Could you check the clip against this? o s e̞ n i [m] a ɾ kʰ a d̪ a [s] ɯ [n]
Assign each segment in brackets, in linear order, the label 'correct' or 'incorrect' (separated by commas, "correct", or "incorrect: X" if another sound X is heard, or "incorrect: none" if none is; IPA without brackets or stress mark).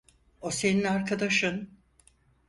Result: incorrect: n, incorrect: ʃ, correct